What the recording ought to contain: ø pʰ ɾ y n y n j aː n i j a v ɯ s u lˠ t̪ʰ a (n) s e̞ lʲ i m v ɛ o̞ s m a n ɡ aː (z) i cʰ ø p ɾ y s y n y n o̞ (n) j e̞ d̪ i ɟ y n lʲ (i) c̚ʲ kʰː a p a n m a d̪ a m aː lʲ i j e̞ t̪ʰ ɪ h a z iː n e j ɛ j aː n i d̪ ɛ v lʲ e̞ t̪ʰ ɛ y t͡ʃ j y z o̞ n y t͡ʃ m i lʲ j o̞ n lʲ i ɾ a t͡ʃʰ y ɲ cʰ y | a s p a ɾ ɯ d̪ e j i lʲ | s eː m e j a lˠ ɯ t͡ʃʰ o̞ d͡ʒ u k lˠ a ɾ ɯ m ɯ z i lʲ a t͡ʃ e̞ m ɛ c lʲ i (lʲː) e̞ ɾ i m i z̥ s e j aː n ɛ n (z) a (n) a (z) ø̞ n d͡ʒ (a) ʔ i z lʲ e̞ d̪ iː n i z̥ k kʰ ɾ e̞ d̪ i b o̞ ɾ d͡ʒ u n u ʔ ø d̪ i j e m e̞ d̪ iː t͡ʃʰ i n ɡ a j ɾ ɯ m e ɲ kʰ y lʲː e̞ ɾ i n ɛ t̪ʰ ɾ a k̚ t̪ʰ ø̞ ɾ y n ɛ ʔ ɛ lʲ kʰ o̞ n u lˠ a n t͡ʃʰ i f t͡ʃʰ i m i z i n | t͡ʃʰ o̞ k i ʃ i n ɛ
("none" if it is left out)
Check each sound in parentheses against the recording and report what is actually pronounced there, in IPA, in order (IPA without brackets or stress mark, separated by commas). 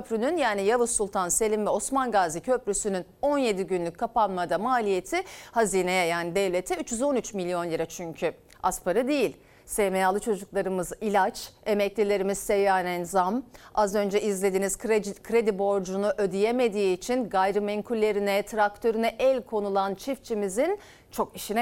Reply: n, z, n, y, lʲ, z, m, z, ɛ